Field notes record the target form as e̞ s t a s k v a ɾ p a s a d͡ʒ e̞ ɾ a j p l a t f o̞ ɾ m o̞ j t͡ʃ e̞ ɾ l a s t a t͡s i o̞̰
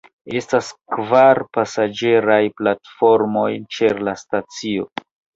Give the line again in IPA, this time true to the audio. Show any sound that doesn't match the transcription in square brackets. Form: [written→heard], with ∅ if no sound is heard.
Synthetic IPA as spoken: e̞ s t a s k v a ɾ p a s a d͡ʒ e̞ ɾ a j p l a t f o̞ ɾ m o̞ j t͡ʃ e̞ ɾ l a s t a t͡s i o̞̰

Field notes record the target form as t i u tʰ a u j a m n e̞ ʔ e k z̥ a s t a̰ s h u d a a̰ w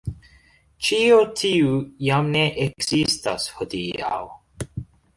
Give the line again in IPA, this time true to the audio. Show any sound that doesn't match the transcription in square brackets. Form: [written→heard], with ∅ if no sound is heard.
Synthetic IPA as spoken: [t→t͡ʃ] i [u→o] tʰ [a→i] u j a m n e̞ ʔ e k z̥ [a→i] s t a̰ s h [u→o] d [a→i] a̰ w

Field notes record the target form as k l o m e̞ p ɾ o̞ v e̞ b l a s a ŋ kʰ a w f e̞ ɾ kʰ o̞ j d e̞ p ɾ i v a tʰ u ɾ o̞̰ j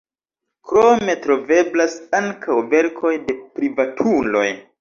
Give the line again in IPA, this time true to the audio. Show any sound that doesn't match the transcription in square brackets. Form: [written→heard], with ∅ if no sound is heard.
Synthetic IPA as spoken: k [l→ɾ] o m e̞ [p→t] ɾ o̞ v e̞ b l a s a ŋ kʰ a w [f→v] e̞ ɾ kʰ o̞ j d e̞ p ɾ i v a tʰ u [ɾ→l] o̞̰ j

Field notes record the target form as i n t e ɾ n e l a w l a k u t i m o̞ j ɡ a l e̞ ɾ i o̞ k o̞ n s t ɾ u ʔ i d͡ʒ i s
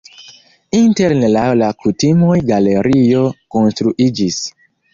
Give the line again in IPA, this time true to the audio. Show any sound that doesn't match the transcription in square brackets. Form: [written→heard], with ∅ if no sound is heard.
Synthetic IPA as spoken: i n t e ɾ n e l a w l a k u t i m o̞ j ɡ a l e̞ ɾ i o̞ k o̞ n s t ɾ u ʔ i d͡ʒ i s

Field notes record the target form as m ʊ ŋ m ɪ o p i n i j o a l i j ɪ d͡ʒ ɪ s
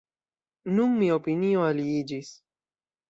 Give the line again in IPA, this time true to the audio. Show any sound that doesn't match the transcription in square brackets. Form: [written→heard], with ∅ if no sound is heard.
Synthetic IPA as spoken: [m→n] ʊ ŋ m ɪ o p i n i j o a l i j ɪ d͡ʒ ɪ s

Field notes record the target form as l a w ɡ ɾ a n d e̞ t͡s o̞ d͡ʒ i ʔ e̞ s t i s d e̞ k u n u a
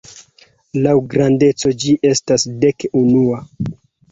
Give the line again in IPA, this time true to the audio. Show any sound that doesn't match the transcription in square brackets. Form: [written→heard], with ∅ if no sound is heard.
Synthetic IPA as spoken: l a w ɡ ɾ a n d e̞ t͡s o̞ d͡ʒ i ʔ e̞ s t [i→a] s d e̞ k u n u a

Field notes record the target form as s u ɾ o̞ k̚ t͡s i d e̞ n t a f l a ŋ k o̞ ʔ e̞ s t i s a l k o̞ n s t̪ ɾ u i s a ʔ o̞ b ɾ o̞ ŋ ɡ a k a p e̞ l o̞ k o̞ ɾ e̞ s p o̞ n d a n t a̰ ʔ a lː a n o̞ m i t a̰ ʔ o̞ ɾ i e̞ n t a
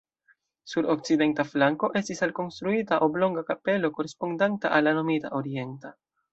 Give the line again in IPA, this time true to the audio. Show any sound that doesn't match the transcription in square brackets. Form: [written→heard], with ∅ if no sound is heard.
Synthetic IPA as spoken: s u ɾ o̞ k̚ t͡s i d e̞ n t a f l a ŋ k o̞ ʔ e̞ s t i s a l k o̞ n s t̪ ɾ u i [s→t] a ʔ o̞ b [ɾ→l] o̞ ŋ ɡ a k a p e̞ l o̞ k o̞ ɾ e̞ s p o̞ n d a n t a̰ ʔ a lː a n o̞ m i t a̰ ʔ o̞ ɾ i e̞ n t a

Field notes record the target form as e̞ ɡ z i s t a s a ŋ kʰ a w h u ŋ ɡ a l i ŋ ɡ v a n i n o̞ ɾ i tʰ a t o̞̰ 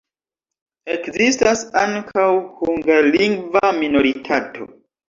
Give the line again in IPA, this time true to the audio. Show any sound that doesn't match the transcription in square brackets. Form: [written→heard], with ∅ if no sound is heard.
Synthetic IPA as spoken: e̞ [ɡ→k] z i s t a s a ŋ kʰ a w h u ŋ ɡ a l i ŋ ɡ v a [n→m] i n o̞ ɾ i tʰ a t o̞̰

